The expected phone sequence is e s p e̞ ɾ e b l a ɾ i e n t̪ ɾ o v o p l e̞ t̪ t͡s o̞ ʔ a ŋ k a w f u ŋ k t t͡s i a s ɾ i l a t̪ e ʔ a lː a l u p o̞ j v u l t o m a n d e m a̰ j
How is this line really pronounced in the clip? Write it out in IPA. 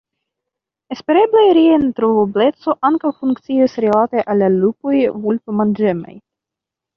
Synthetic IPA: e s p e̞ ɾ e b l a ɾ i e n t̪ ɾ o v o b l e̞ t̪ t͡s o̞ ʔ a ŋ k a w f u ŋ k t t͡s i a s ɾ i l a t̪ e ʔ a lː a l u p o̞ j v u l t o m a n d͡ʒ e m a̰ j